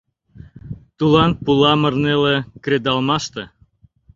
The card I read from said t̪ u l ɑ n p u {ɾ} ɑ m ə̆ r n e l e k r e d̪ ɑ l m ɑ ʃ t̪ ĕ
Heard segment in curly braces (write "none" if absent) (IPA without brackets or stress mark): l